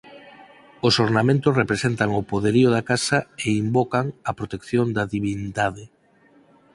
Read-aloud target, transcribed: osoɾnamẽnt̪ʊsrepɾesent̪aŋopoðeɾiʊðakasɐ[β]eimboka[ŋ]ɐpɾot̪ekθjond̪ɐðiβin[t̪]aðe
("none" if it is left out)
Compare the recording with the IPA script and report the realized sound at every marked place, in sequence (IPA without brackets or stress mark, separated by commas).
none, ŋ, d̪